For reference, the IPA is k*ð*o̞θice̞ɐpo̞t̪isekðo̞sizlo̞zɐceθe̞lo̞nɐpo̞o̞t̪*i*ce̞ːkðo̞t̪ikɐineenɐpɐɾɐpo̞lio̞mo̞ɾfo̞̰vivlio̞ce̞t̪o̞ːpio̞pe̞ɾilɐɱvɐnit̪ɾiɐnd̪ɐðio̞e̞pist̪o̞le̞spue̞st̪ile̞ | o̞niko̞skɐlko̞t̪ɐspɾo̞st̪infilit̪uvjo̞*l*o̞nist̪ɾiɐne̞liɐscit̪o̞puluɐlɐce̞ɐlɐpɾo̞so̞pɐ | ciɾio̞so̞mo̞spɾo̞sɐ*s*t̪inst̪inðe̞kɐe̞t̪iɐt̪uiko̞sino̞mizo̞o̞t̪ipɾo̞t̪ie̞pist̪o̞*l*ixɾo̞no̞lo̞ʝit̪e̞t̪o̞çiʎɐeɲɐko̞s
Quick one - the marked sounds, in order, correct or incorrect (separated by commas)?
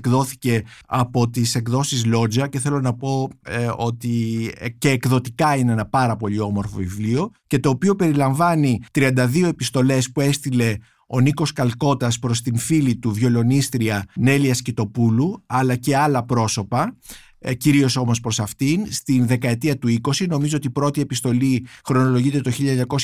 correct, correct, correct, incorrect, correct